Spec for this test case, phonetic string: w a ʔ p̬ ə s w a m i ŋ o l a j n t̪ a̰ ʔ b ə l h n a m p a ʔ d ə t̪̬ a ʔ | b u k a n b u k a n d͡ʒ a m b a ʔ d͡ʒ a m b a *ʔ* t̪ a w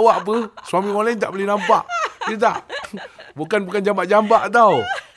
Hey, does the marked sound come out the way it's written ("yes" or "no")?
yes